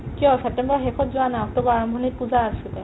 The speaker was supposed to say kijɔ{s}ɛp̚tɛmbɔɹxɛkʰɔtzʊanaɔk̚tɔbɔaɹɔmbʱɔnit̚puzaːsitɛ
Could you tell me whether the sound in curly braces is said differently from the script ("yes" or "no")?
no